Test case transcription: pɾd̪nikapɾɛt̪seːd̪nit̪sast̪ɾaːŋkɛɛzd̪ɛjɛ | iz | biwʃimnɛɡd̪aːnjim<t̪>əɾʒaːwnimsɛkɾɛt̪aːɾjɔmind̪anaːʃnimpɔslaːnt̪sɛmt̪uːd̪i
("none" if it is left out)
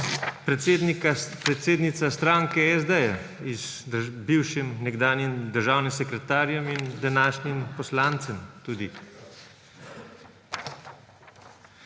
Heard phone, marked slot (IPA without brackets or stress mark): d̪